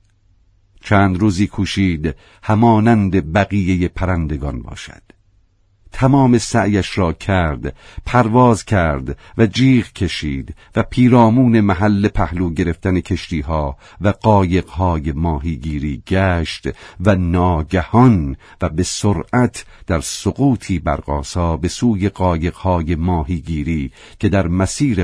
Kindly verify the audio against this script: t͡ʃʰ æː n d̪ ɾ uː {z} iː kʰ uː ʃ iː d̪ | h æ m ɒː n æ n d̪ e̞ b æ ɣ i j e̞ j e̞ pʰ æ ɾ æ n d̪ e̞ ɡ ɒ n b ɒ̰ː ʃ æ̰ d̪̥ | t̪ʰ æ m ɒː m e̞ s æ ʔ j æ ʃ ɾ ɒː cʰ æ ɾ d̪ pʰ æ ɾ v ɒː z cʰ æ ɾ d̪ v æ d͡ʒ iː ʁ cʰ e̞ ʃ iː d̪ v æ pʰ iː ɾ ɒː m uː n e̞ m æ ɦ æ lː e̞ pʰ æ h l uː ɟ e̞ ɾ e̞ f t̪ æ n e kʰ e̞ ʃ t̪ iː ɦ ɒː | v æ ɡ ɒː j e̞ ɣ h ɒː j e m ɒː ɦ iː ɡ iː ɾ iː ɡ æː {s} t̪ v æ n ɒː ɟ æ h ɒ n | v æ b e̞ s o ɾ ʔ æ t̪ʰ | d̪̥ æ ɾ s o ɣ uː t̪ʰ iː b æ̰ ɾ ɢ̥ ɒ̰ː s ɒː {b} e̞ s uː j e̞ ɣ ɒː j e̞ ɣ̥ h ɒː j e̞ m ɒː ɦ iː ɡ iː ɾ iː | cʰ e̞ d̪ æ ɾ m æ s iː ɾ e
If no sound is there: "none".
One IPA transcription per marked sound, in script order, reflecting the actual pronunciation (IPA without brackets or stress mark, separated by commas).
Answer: z, ʃ, b